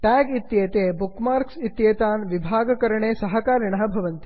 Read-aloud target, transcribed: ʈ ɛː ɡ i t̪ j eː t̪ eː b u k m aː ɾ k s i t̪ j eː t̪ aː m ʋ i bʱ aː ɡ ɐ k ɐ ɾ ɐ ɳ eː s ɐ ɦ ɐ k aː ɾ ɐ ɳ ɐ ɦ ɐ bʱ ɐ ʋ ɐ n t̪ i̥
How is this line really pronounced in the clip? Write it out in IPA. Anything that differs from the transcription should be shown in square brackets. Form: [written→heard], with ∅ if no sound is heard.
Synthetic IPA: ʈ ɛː ɡ i t̪ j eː t̪ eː b u k m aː ɾ k s i t̪ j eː t̪ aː [m→n] ʋ i bʱ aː ɡ ɐ k ɐ ɾ ɐ ɳ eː s ɐ ɦ ɐ k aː ɾ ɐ ɳ ɐ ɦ ɐ bʱ ɐ ʋ ɐ n t̪ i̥